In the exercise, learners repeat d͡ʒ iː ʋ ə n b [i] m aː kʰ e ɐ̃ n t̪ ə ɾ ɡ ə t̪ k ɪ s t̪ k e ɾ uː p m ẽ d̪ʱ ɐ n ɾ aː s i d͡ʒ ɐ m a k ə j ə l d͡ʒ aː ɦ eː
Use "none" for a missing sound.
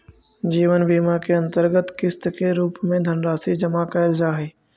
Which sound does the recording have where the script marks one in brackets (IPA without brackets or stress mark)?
iː